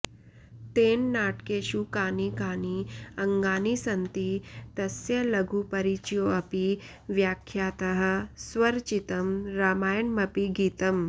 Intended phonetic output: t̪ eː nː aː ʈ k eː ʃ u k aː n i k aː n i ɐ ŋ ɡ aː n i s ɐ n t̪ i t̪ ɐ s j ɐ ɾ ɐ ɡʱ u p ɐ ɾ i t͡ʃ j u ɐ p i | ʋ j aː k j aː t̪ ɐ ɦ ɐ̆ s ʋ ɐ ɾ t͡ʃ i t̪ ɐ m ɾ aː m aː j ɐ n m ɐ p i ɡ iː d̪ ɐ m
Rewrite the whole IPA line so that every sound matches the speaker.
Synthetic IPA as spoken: t̪ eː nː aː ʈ k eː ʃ u k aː n i k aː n i ɐ ŋ ɡ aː n i s ɐ n t̪ i t̪ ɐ s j ɐ l ɐ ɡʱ u p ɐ ɾ i t͡ʃ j o ɐ p i | ʋ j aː kʰ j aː t̪ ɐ ɦ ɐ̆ s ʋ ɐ ɾ t͡ʃ i t̪ ɐ m ɾ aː m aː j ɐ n m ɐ p i ɡ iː t̪ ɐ m